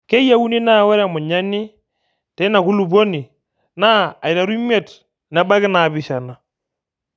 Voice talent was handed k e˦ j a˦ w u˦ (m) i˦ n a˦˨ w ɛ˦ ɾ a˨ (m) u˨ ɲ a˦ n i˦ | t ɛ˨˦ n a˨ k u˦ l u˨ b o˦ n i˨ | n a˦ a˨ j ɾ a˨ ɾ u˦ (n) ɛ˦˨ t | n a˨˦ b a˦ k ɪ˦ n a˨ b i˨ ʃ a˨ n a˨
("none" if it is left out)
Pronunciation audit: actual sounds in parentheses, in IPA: n, m, m

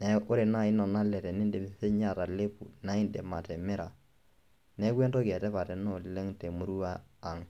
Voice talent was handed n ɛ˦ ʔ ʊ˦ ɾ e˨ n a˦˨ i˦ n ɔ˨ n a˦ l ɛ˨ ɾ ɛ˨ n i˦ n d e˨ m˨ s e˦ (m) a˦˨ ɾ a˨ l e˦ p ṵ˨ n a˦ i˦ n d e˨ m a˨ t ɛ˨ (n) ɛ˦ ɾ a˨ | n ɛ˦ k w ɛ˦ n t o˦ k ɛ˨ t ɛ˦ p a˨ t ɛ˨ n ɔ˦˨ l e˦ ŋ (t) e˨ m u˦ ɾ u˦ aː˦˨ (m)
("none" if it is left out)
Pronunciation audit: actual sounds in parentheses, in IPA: ɲ, m, t, ŋ

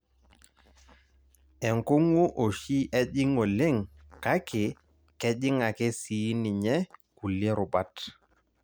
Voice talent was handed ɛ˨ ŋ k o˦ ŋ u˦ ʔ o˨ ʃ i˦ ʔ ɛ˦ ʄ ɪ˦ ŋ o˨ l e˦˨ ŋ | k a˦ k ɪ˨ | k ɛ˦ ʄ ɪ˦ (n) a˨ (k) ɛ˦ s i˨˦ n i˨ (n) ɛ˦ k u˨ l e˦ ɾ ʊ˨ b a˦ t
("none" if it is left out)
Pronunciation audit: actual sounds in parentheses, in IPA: ŋ, k, ɲ

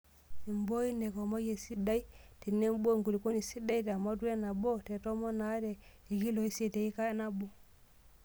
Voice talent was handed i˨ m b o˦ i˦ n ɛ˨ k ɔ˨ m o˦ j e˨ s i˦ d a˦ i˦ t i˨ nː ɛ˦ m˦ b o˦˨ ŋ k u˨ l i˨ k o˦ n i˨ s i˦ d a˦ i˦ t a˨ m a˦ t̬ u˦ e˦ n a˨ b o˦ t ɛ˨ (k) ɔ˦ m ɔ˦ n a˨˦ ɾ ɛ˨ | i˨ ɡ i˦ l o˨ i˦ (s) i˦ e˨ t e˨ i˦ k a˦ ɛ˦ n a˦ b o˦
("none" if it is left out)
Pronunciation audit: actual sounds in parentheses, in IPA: t, s

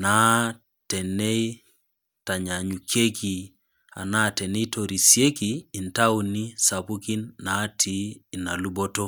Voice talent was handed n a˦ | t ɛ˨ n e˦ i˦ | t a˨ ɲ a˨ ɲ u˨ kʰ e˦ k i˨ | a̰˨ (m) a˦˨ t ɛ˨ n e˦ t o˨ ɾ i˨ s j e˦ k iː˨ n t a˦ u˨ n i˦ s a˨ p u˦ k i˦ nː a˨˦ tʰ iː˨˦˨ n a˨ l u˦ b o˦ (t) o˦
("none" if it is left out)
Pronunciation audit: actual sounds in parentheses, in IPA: n, t

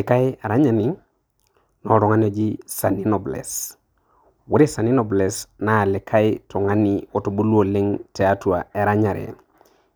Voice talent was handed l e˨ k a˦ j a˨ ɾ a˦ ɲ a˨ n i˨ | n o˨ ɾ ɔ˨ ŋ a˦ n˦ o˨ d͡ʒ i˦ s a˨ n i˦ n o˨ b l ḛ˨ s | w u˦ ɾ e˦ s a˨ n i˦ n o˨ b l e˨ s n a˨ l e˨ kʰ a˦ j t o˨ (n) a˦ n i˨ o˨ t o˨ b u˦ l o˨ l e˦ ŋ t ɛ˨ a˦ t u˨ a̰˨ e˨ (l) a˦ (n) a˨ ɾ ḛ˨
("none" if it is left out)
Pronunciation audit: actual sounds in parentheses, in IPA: ŋ, ɾ, ɲ

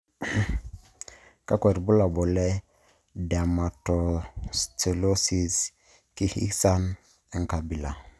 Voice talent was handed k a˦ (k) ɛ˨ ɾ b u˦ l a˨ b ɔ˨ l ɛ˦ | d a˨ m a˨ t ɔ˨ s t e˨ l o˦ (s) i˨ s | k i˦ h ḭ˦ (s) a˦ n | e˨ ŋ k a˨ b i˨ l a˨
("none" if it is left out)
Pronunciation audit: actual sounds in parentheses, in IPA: k, s, s

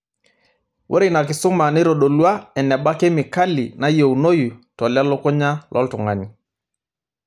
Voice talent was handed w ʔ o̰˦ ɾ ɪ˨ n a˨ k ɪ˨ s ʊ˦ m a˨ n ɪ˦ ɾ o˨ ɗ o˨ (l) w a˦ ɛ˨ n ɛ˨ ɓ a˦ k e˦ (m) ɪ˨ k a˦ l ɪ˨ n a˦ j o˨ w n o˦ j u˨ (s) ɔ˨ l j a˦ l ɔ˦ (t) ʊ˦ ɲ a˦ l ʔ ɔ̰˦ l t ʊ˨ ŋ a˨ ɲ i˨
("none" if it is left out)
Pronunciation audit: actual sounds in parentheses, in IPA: l, m, t, k

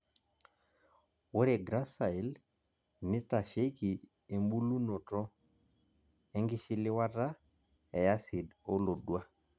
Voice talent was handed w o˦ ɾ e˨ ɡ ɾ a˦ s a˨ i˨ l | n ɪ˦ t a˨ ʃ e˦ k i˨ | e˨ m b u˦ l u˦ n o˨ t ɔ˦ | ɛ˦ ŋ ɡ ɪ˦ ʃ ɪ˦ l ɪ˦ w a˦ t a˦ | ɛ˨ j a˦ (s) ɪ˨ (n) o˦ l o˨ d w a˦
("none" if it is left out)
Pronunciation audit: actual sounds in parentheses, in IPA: s, d

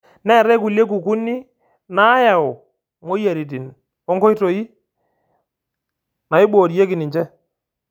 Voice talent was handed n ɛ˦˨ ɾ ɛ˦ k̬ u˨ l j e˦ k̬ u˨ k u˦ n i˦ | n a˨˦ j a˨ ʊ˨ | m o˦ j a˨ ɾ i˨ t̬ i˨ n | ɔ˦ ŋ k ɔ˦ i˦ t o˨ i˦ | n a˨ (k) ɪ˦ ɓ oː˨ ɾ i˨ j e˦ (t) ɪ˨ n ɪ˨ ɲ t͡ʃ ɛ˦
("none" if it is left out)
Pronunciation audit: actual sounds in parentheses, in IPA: none, k

